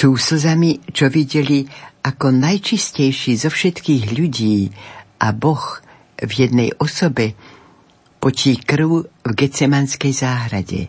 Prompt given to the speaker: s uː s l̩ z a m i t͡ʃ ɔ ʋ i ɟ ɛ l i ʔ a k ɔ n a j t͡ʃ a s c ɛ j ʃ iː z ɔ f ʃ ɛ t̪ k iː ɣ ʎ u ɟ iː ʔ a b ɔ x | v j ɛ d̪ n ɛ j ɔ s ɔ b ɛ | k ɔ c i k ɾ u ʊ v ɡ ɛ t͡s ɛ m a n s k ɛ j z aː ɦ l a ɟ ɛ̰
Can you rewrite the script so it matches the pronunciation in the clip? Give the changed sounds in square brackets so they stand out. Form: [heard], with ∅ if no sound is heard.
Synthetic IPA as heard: s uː s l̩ z a m i t͡ʃ ɔ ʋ i ɟ ɛ l i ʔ a k ɔ n a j t͡ʃ [i] s c ɛ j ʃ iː z ɔ f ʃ ɛ t̪ k iː ɣ ʎ u ɟ iː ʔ a b ɔ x | v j ɛ d̪ n ɛ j ɔ s ɔ b ɛ | [p] ɔ c i k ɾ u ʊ v ɡ ɛ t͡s ɛ m a n s k ɛ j z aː ɦ [ɾ] a ɟ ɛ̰